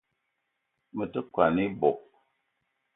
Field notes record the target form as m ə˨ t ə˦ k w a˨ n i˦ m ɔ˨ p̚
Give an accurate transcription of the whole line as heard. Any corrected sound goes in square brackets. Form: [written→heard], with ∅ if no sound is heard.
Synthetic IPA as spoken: m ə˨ t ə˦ k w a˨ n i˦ [m→b] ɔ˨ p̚